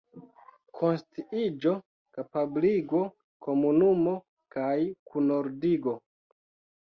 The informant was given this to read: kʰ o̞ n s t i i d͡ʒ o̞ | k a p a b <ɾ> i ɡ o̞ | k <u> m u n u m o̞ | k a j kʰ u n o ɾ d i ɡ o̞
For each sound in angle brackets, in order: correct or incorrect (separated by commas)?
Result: incorrect, incorrect